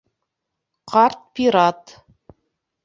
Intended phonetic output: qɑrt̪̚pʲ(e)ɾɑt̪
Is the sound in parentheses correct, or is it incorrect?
incorrect